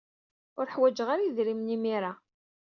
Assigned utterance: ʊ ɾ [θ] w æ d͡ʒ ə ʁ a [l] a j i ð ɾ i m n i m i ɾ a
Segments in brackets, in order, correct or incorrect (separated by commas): incorrect, incorrect